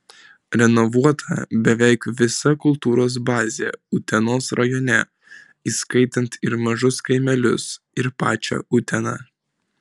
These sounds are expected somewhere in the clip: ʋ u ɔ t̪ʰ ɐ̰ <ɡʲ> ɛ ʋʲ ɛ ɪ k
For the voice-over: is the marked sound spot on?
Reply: no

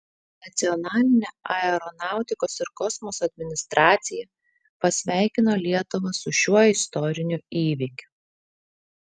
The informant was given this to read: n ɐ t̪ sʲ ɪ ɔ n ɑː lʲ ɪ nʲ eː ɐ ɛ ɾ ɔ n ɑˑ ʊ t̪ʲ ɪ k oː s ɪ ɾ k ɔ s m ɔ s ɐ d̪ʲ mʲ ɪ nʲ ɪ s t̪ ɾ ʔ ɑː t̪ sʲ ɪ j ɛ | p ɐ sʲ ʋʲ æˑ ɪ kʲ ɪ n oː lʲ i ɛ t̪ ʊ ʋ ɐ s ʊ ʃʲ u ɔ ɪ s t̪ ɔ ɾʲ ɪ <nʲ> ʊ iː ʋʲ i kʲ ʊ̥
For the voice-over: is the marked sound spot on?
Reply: yes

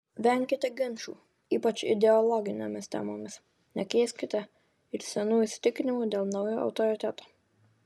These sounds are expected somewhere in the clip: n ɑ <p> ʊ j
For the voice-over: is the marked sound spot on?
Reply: no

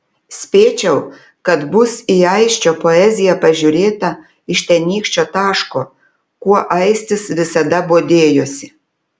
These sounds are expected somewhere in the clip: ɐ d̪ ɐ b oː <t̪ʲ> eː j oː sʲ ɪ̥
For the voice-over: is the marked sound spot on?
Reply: no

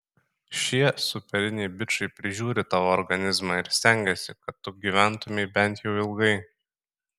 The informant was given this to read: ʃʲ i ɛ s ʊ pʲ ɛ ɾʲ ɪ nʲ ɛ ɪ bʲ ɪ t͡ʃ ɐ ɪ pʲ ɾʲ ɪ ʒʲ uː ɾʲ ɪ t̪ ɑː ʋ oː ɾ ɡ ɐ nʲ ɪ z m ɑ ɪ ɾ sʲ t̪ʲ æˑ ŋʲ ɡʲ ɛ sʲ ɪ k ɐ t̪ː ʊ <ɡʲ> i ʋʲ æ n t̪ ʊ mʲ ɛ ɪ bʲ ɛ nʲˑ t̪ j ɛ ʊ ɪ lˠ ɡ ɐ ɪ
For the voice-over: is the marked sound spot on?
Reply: yes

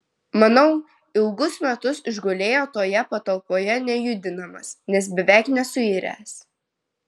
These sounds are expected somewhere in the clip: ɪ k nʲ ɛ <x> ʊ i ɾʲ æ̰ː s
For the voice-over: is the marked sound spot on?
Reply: no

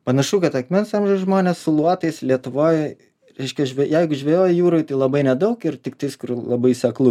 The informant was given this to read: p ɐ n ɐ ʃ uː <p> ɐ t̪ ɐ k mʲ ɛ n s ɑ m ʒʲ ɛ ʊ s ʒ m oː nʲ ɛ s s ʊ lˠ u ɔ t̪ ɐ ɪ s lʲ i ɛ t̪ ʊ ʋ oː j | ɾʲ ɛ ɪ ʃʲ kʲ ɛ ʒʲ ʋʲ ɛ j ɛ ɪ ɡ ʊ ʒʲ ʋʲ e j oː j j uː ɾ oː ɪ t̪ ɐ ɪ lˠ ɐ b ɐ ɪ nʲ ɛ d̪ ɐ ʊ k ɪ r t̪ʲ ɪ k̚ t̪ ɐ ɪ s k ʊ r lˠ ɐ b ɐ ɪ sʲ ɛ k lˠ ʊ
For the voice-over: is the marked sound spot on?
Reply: no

